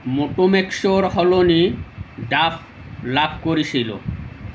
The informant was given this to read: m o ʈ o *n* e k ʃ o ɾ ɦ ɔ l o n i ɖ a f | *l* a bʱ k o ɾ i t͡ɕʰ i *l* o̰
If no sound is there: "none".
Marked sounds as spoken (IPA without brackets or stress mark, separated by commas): m, l, l